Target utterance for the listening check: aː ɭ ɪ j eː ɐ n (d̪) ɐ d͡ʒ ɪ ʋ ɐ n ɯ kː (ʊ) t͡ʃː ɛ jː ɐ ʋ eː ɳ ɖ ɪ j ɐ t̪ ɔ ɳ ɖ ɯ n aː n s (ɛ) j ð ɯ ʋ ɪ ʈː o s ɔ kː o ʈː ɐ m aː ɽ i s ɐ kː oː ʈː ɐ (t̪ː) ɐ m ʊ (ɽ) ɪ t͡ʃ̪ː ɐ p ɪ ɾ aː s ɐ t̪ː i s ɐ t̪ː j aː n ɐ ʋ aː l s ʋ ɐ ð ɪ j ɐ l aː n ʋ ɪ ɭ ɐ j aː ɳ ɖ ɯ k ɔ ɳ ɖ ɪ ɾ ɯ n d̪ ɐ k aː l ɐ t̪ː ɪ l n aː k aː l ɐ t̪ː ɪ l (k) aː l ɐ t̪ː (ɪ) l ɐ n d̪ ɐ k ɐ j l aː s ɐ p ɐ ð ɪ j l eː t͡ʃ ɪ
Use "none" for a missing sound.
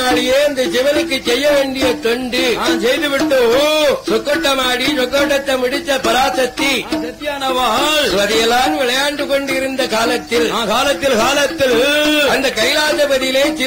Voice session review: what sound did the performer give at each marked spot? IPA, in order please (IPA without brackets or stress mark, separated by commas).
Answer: d̪, ɯ, ɛ, t̪ː, ɽ, k, ɪ